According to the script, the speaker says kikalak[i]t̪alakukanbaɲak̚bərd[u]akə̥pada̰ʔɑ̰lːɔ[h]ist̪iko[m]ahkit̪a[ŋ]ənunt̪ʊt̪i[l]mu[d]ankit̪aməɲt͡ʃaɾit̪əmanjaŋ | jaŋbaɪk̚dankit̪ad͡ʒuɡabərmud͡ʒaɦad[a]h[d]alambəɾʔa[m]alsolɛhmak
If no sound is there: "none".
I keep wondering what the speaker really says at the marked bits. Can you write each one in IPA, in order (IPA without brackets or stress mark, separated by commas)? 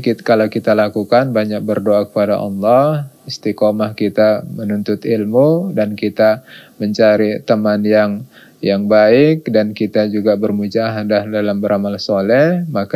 i, o, h, m, m, l, d, a, d, m